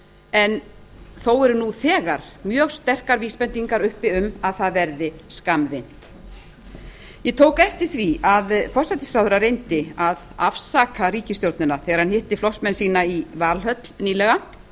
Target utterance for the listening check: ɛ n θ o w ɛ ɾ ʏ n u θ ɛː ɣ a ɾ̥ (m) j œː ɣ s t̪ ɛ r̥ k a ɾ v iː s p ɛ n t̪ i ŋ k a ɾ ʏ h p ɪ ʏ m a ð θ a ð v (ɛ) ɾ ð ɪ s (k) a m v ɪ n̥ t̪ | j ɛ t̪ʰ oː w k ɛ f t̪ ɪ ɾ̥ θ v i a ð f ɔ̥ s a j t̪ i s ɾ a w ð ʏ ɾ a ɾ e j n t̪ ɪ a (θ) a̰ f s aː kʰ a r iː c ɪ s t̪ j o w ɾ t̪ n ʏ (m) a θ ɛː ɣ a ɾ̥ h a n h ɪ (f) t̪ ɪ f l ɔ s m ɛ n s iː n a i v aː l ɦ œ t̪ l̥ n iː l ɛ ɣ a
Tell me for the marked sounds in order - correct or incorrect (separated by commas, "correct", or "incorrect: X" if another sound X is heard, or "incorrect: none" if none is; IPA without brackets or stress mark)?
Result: correct, correct, correct, incorrect: ð, incorrect: n, incorrect: h